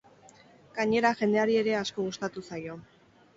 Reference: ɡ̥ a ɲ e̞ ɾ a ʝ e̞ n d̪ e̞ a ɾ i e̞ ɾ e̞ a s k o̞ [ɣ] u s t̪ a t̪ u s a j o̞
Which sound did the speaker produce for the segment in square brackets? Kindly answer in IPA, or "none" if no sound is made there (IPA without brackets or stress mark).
ɣ